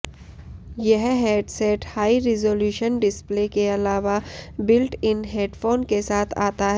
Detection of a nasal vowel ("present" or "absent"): absent